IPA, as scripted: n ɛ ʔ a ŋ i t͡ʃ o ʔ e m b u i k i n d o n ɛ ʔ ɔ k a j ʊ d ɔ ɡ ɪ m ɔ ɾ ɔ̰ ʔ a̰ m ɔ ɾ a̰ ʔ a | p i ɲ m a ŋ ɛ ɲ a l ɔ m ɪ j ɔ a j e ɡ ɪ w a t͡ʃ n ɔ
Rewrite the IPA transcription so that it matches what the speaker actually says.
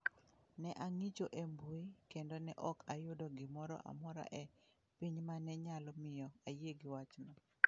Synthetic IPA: n ɛ ʔ a ŋ i t͡ʃ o ʔ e m b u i k e n d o n ɛ ʔ ɔ k a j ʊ d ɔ ɡ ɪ m ɔ ɾ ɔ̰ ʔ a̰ m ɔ ɾ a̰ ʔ ɛ | p i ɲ m a n ɛ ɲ a l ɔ m ɪ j ɔ a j e ɡ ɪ w a t͡ʃ n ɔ